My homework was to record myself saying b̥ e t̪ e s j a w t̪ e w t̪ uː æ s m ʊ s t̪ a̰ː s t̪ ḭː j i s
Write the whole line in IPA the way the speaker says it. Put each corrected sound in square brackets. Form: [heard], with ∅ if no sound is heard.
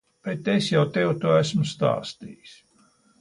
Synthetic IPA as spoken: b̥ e t̪ e s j a w t̪ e w t̪ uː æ s m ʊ s t̪ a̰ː s t̪ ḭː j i s